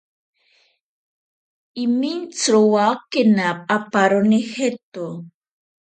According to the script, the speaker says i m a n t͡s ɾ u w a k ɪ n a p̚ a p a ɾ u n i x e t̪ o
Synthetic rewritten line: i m i n t͡s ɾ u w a k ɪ n a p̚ a p a ɾ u n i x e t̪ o